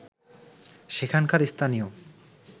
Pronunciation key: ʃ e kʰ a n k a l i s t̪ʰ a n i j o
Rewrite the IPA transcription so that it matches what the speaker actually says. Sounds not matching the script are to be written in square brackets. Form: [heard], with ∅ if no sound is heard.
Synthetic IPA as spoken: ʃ e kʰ a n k a [ɾ] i s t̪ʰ a n i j o